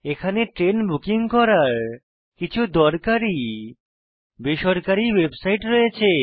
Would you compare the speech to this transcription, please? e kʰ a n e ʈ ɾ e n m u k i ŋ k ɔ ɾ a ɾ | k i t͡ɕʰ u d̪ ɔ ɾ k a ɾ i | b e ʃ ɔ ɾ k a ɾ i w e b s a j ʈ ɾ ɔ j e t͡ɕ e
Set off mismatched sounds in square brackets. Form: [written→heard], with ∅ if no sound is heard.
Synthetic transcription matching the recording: e kʰ a n e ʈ ɾ e n [m→b] u k i ŋ k ɔ ɾ a ɾ | k i t͡ɕʰ u d̪ ɔ ɾ k a ɾ i | b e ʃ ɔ ɾ k a ɾ i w e b s a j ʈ ɾ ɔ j e [t͡ɕ→t͡ɕʰ] e